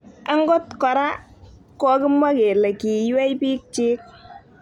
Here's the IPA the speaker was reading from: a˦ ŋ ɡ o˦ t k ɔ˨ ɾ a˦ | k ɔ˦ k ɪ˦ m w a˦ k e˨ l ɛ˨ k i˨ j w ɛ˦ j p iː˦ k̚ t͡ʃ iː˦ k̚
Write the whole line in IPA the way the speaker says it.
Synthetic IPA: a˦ ŋ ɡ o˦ t k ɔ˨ ɾ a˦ | k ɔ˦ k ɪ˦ m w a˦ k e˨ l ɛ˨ k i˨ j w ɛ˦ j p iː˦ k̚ t͡ʃ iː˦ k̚